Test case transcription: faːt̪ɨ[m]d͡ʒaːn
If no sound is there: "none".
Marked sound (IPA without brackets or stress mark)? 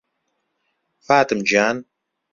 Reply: m